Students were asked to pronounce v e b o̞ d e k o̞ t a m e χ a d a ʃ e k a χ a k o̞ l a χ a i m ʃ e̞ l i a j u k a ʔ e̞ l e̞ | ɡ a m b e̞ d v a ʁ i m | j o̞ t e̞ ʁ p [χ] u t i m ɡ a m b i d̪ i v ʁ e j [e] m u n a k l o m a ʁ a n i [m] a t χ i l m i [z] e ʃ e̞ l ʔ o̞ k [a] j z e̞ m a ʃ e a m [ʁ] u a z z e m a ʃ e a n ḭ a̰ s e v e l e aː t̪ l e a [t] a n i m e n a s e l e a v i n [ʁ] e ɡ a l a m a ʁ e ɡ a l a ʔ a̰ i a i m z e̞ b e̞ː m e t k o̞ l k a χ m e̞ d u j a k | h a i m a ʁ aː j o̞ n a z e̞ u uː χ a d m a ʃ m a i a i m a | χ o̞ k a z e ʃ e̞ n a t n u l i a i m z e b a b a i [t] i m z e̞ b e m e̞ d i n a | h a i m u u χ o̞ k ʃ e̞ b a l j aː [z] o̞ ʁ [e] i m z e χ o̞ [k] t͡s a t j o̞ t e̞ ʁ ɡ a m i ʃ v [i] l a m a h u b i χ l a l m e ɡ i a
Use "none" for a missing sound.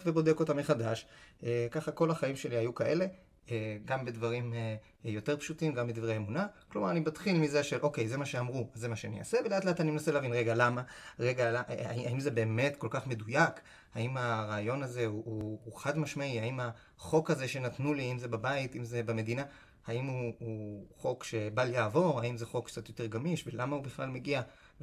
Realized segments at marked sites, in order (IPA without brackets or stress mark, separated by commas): ʃ, e, b, z, e, ʁ, t, ʁ, t, v, a, k, e